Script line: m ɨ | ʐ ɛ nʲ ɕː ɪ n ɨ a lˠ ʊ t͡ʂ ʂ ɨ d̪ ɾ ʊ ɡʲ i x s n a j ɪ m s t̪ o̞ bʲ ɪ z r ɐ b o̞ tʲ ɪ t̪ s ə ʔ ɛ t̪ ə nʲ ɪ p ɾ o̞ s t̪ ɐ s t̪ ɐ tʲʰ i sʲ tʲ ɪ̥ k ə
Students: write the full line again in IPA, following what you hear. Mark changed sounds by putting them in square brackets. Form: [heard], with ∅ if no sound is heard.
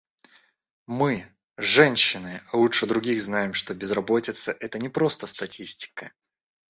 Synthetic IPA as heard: m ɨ | ʐ ɛ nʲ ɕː ɪ n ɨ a lˠ [u] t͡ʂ ʂ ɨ d̪ ɾ ʊ ɡʲ i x [z] n a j ɪ m [ʂ] t̪ o̞ bʲ ɪ z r ɐ b o̞ tʲ ɪ t̪ s ə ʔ ɛ t̪ ə nʲ ɪ p ɾ o̞ s t̪ [ə] s t̪ ɐ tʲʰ i sʲ tʲ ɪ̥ k ə